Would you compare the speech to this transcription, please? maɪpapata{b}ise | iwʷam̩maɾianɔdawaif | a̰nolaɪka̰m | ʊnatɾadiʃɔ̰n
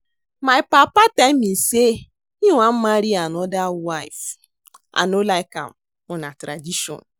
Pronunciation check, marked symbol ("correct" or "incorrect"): incorrect